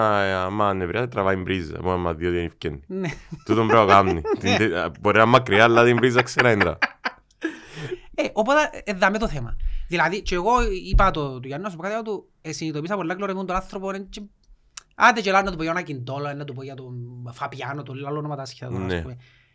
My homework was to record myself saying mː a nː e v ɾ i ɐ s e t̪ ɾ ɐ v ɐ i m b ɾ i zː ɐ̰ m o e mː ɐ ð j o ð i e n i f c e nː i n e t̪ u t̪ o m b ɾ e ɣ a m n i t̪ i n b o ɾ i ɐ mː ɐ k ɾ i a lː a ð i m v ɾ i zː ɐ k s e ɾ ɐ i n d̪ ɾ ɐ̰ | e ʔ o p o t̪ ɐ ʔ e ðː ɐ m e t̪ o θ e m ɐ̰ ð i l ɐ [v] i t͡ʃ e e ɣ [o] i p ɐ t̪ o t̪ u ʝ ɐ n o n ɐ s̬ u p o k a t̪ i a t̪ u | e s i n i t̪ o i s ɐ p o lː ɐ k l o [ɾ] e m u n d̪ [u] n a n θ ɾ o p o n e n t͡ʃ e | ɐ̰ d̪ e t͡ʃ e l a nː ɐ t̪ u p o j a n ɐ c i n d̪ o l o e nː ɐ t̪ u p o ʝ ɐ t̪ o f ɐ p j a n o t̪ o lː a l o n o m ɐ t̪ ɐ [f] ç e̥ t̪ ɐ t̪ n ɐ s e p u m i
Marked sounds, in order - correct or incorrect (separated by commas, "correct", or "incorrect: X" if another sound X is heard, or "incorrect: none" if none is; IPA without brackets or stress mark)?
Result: incorrect: ð, correct, correct, incorrect: o, incorrect: s